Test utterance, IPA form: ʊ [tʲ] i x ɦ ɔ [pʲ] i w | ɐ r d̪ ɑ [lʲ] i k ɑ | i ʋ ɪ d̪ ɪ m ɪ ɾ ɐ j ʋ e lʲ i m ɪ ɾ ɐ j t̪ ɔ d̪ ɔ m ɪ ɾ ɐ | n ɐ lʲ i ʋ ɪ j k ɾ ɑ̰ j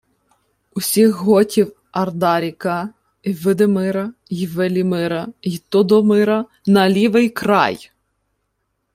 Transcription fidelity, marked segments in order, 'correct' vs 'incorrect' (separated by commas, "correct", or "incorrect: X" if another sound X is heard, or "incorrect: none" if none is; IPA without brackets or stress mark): incorrect: sʲ, incorrect: tʲ, incorrect: ɾʲ